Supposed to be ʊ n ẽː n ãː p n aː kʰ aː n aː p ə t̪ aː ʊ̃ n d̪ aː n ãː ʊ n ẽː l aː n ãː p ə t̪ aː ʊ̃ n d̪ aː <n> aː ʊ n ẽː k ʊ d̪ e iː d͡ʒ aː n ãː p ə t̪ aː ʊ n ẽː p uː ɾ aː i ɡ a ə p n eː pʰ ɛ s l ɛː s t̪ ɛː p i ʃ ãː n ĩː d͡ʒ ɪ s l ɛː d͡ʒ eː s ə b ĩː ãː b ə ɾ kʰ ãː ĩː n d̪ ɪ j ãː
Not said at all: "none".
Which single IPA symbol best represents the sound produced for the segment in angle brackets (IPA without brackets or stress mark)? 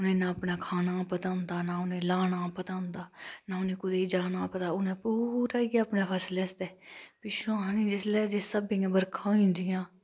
n